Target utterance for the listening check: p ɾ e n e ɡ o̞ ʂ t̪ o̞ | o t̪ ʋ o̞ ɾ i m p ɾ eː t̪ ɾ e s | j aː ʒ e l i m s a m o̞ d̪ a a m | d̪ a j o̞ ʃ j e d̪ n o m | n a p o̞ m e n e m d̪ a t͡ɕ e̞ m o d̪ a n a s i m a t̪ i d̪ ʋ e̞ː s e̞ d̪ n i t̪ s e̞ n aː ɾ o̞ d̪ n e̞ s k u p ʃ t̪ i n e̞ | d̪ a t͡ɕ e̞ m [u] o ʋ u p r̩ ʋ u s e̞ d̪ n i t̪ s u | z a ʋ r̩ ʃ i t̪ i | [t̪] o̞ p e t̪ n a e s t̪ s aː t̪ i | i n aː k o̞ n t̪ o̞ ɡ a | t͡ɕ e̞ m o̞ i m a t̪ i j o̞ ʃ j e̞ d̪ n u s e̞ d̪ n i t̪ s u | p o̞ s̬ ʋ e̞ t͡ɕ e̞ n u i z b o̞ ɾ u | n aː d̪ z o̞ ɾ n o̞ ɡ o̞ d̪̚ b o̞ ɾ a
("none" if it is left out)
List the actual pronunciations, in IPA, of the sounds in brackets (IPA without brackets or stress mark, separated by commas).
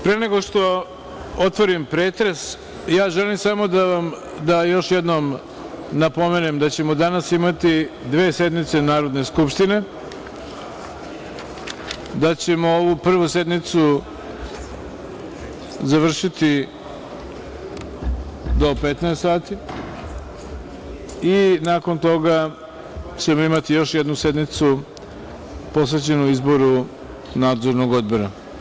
o, d̪